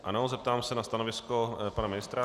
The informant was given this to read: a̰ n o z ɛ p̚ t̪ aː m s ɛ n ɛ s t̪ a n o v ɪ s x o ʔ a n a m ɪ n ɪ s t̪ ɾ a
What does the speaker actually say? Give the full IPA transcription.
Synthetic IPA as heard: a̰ n o z ɛ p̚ t̪ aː m s ɛ n a s t̪ a n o v ɪ s k o p a n a m ɪ n ɪ s t̪ ɾ a